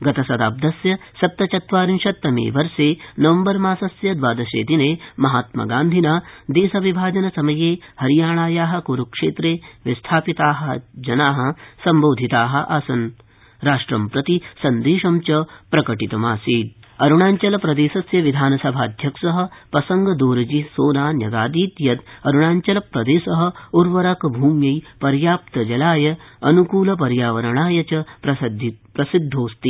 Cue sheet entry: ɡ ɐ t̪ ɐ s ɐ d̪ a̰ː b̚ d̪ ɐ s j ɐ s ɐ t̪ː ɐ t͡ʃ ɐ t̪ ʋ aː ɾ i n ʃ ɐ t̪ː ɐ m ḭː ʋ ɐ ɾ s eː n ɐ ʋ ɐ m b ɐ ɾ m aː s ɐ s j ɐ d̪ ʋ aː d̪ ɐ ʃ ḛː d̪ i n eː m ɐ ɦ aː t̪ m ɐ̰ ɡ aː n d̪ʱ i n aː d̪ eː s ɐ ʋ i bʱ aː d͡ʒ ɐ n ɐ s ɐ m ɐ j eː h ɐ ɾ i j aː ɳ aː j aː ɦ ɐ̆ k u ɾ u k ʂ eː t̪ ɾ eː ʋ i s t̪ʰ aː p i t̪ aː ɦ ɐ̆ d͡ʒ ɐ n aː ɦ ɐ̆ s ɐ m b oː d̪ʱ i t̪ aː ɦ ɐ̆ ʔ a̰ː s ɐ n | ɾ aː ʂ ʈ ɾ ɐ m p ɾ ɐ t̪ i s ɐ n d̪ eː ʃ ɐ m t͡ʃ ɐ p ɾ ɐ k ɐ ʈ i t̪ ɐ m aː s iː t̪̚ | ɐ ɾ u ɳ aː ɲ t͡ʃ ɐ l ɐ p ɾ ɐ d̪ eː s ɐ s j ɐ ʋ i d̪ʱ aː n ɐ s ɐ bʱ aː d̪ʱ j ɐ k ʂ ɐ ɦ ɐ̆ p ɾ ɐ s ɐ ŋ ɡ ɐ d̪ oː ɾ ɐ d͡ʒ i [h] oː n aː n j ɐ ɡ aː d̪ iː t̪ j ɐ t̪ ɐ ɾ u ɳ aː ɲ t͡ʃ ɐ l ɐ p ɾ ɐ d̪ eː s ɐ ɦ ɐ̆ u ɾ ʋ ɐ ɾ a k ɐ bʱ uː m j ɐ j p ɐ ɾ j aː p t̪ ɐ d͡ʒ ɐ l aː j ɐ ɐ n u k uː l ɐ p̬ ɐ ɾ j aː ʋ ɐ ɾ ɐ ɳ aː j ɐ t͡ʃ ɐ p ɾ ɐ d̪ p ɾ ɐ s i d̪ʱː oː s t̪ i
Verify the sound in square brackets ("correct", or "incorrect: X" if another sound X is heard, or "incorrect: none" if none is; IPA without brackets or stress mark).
incorrect: s